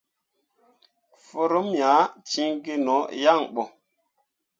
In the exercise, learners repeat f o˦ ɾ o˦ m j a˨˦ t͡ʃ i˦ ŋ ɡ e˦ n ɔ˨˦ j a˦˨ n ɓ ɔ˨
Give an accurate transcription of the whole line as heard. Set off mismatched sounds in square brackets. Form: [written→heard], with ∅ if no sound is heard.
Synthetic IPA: f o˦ ɾ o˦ m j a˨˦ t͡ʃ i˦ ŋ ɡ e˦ n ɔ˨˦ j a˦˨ [n→ŋ] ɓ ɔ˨